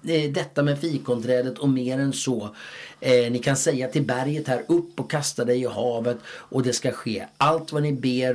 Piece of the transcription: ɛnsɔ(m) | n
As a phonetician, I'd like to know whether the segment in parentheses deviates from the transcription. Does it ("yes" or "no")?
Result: yes